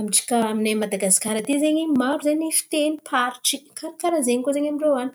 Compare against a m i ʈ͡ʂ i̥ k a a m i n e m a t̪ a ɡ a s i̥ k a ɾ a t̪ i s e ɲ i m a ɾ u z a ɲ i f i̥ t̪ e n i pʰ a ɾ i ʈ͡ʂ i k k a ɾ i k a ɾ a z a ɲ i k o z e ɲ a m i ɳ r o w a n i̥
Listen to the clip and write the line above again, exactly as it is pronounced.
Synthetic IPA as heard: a m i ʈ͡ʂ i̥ k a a m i n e m a d̪ a ɡ a s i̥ k a ɾ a t̪ i z e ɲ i m a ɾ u z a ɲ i f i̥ t̪ e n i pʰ a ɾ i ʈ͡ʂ i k k a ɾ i k a ɾ a z e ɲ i k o z e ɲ a m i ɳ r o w a n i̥